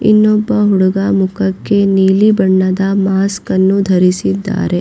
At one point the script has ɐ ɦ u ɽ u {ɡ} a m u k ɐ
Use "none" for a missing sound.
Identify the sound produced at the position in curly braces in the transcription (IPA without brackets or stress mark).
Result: ɡ